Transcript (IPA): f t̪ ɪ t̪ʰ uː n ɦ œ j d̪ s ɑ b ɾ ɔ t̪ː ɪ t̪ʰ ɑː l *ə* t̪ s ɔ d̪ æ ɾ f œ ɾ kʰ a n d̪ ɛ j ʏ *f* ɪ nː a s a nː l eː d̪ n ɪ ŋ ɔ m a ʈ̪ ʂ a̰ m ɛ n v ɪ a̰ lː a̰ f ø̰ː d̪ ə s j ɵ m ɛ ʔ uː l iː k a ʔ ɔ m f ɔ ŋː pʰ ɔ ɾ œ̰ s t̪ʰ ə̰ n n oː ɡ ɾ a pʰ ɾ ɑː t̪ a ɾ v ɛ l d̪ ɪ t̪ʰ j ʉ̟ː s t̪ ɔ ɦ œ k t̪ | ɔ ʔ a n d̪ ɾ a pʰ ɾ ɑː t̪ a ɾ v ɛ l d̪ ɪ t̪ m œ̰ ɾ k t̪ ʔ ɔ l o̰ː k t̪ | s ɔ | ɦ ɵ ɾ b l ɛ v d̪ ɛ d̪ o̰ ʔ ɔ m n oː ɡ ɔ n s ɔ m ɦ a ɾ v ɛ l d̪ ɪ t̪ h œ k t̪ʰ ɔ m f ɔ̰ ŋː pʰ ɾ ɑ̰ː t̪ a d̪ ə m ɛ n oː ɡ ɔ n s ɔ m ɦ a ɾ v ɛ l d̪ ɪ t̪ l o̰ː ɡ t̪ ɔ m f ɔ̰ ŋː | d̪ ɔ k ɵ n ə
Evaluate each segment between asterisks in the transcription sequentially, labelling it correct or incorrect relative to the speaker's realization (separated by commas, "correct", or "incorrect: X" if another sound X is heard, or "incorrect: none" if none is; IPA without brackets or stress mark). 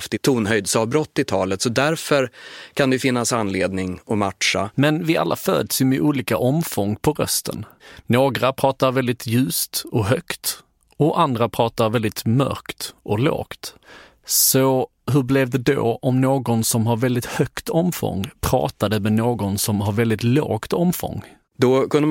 correct, correct